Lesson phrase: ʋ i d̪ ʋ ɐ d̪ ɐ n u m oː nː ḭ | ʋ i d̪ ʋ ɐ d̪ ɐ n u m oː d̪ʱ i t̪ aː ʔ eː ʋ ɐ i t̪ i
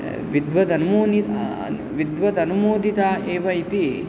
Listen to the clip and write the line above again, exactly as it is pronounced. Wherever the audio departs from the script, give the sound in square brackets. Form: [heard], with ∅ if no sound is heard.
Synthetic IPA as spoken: ʋ i d̪ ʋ ɐ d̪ ɐ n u m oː [n] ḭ | ʋ i d̪ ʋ ɐ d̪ ɐ n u m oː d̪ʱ i t̪ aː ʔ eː ʋ ɐ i t̪ i